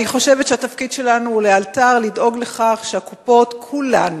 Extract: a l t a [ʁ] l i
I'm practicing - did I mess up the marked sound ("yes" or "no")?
no